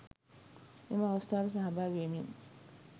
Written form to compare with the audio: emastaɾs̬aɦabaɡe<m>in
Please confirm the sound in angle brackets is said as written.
yes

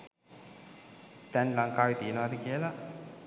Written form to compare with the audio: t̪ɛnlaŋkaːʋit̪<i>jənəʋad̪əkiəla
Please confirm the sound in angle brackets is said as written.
yes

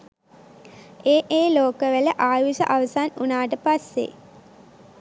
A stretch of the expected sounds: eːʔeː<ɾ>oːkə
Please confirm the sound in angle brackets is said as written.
no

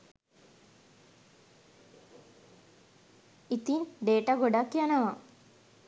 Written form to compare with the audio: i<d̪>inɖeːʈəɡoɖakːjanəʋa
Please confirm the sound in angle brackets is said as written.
no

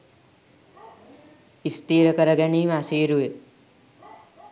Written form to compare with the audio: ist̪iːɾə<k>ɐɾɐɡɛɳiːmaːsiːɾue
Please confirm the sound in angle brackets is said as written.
yes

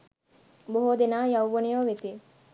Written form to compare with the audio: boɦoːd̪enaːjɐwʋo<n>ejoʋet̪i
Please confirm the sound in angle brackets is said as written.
yes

